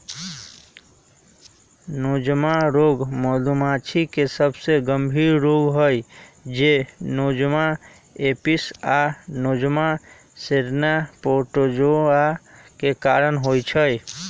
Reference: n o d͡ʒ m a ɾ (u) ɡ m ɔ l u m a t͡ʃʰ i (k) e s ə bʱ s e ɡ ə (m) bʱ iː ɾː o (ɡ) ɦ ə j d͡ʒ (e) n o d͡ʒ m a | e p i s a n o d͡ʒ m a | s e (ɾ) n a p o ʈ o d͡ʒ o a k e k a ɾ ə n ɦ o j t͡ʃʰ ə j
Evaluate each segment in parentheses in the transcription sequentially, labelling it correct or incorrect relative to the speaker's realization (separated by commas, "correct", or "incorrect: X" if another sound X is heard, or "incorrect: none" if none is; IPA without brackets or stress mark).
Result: incorrect: o, correct, correct, correct, correct, correct